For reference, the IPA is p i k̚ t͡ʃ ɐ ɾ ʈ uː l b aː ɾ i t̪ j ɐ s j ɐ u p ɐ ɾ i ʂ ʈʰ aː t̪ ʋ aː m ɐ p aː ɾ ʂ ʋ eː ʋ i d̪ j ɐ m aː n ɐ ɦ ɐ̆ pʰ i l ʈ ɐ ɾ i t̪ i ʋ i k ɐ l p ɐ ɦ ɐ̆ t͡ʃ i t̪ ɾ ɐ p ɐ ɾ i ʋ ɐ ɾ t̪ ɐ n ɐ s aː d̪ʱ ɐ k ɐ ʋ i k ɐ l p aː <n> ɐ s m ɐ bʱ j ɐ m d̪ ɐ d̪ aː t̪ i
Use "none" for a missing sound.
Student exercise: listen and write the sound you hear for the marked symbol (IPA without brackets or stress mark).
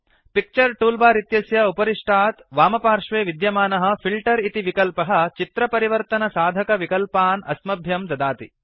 n